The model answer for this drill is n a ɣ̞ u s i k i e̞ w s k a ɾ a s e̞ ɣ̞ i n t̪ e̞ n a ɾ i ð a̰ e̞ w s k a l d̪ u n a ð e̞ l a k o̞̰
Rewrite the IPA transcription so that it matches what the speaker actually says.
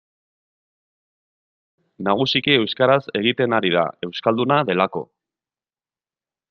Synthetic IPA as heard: n a ɣ̞ u s i k i e̞ w s k a ɾ a s e̞ ɣ̞ i t̪ e̞ n a ɾ i ð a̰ e̞ w s k a l d̪ u n a ð e̞ l a k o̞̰